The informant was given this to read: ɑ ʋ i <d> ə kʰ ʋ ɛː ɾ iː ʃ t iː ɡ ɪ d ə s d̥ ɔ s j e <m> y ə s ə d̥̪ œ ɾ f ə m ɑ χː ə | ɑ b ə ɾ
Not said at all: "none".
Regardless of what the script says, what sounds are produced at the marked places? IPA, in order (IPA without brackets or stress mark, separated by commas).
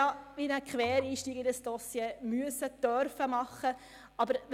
n, m